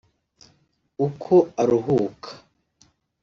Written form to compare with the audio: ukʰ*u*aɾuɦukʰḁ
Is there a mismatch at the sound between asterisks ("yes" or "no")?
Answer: yes